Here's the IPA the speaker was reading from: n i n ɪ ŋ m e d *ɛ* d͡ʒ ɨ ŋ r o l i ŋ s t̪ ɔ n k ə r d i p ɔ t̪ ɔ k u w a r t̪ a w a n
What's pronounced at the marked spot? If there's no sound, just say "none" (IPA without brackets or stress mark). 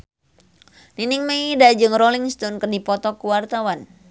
a